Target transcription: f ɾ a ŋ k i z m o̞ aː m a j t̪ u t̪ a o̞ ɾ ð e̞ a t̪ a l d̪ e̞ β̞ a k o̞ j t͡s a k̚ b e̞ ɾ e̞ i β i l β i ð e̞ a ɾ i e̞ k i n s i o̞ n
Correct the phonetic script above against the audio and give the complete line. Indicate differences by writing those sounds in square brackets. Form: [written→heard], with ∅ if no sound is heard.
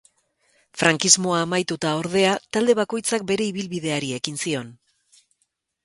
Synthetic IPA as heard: f ɾ a ŋ k i z m o̞ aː m a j t̪ u t̪ a o̞ ɾ ð e̞ a t̪ a l d̪ e̞ β̞ a k o̞ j t͡s a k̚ b e̞ ɾ e̞ i β i l β i ð e̞ a ɾ i e̞ k i n s i o̞ n